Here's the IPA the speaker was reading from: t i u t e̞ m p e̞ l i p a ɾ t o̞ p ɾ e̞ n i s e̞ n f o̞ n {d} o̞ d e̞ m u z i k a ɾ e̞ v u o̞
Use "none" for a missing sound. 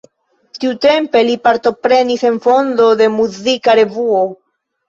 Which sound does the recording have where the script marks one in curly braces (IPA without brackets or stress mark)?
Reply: d